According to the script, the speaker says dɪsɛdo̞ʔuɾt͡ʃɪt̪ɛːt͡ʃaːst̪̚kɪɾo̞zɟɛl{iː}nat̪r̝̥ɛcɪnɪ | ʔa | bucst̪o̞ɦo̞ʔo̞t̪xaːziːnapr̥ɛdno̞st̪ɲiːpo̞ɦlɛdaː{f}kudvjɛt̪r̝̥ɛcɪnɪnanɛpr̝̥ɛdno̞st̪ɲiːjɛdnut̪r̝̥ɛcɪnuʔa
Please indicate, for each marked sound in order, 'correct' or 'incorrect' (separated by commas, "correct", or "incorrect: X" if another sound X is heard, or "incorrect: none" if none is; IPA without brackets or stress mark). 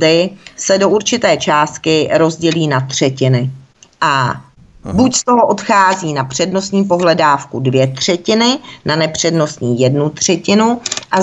correct, correct